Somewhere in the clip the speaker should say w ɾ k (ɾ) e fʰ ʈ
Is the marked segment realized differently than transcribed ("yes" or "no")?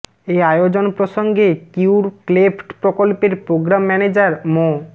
yes